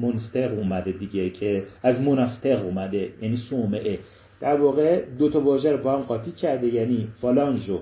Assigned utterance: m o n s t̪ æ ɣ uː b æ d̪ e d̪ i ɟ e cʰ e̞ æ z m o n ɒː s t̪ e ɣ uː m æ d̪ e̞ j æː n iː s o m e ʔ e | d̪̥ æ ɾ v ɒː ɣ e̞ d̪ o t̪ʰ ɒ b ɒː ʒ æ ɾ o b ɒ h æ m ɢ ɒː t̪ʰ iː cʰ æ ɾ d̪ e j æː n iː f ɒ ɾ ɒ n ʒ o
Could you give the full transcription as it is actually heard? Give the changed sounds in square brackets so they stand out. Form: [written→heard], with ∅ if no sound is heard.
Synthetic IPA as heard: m o n s t̪ [æ→e] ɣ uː [b→m] æ d̪ e d̪ i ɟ e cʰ e̞ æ z m o n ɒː s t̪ e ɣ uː m æ d̪ e̞ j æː n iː s o m e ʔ e | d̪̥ æ ɾ v ɒː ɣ e̞ d̪ o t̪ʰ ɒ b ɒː ʒ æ ɾ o b ɒ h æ m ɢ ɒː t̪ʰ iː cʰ æ ɾ d̪ e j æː n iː f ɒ [ɾ→l] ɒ n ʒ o